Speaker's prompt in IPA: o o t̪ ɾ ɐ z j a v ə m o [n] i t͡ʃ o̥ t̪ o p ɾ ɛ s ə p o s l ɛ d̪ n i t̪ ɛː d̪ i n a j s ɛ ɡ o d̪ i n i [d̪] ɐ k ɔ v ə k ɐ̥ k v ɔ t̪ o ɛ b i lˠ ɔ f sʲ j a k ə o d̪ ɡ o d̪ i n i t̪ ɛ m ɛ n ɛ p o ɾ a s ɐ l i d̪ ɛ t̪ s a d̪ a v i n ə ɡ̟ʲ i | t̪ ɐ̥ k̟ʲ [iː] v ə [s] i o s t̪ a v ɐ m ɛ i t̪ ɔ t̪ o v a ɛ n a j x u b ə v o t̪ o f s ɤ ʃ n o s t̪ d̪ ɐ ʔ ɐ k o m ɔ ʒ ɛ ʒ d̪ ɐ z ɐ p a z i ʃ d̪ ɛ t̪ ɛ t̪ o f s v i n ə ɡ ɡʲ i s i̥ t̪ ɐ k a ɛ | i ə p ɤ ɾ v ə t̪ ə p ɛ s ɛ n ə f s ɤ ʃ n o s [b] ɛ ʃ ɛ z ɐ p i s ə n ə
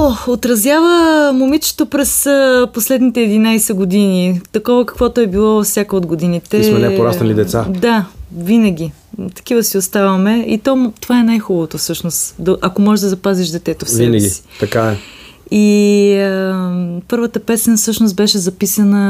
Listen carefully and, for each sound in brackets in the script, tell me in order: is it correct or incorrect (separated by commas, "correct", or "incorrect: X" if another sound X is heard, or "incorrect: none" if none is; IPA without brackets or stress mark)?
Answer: incorrect: m, incorrect: t̪, incorrect: i, correct, correct